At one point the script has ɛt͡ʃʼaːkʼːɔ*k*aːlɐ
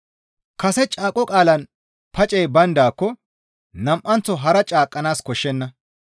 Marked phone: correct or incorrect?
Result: incorrect